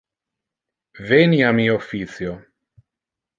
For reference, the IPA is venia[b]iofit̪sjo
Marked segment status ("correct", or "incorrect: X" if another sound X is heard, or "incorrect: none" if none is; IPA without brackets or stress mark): incorrect: m